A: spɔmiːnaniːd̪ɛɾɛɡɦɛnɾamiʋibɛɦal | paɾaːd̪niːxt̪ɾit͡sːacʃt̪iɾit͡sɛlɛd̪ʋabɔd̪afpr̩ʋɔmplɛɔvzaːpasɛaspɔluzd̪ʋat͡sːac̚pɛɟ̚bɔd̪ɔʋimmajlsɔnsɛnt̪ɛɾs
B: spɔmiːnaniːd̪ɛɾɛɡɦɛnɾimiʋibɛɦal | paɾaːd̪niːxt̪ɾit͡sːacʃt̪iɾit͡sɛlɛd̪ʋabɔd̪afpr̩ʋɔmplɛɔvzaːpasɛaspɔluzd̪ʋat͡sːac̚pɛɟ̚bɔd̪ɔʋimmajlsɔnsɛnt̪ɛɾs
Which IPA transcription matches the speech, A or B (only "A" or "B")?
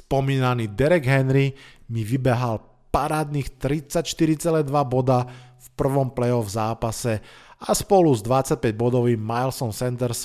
B